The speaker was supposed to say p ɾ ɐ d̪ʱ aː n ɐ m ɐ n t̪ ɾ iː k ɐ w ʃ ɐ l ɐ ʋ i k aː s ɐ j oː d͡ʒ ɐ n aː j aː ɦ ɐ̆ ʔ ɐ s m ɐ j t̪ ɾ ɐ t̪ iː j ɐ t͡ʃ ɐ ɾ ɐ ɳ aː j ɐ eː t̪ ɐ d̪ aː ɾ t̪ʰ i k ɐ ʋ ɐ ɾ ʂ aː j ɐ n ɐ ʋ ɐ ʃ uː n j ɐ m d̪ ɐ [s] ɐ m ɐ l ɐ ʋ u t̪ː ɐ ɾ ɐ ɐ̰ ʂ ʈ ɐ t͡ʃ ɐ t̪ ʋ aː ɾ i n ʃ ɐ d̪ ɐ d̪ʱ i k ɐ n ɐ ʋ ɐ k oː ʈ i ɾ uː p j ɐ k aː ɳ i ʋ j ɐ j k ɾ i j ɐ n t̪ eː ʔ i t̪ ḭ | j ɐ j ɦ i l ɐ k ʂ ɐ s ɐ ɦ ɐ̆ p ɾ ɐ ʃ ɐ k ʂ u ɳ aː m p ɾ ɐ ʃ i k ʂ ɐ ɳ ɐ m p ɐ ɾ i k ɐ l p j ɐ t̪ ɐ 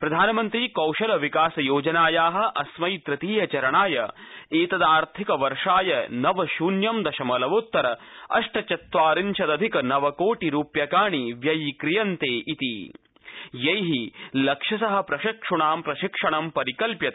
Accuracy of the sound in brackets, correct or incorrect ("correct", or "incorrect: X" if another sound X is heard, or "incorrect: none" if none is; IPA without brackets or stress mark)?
incorrect: ʃ